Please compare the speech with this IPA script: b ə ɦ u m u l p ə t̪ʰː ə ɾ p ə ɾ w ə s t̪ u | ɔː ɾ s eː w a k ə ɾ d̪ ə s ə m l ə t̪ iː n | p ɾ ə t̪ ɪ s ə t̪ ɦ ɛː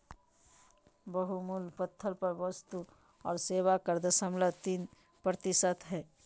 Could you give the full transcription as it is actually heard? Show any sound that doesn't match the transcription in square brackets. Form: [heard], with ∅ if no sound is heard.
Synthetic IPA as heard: b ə ɦ u m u l p ə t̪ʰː ə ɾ p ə ɾ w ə s t̪ u | ɔː ɾ s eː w a k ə ɾ d̪ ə s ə m l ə t̪ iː n | p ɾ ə t̪ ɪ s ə t̪ ɦ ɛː